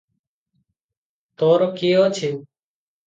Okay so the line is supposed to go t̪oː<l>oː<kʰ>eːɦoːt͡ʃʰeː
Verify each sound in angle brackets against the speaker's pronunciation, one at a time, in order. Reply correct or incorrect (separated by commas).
incorrect, incorrect